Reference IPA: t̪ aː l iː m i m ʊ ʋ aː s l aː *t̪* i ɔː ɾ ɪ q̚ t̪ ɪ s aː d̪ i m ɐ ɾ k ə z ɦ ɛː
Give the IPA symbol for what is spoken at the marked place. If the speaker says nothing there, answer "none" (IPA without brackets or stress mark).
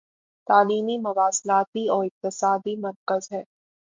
t̪